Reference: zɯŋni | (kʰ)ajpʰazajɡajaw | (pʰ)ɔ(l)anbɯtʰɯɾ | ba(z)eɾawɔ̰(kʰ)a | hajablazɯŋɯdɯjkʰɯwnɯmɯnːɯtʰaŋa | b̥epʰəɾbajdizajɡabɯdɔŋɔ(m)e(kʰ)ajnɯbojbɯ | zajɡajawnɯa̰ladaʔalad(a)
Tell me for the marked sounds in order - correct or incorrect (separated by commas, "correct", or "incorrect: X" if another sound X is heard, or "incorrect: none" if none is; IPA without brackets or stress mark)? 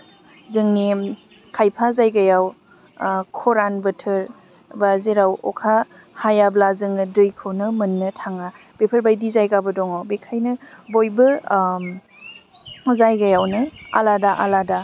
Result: correct, incorrect: kʰ, incorrect: ɾ, correct, correct, incorrect: b, correct, correct